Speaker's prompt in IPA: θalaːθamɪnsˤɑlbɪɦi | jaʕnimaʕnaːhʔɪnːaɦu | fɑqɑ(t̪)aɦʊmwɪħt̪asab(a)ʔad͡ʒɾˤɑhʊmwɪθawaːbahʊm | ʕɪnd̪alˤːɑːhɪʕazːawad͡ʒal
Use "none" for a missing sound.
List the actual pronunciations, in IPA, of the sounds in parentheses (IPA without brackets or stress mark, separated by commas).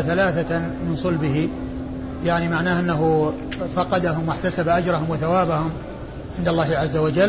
d̪, a